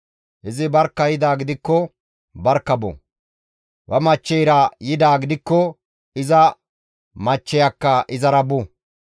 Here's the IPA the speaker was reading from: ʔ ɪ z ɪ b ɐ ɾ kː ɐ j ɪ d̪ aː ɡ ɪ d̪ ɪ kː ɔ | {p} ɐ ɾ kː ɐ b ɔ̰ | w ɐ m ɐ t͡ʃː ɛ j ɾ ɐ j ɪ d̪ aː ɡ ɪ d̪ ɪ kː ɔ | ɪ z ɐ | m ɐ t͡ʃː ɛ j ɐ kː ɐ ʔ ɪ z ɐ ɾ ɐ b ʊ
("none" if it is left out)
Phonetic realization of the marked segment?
b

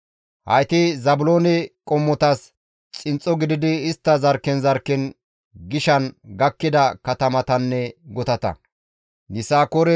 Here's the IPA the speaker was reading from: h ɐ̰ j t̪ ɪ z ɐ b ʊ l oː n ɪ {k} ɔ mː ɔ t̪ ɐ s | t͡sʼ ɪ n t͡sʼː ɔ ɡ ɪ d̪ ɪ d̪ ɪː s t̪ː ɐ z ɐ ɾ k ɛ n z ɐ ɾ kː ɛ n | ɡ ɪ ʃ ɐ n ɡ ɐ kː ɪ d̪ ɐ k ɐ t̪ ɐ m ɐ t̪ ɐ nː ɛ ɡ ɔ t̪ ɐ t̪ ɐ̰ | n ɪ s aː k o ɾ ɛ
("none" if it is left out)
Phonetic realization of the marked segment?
kʼ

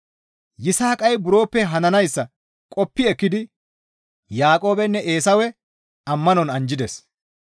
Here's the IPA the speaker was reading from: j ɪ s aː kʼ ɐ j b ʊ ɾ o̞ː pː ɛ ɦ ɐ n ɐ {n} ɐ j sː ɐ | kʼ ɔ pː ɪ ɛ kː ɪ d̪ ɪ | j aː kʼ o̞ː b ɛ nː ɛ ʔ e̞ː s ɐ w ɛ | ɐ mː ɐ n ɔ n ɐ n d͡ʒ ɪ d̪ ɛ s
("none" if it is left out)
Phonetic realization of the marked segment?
n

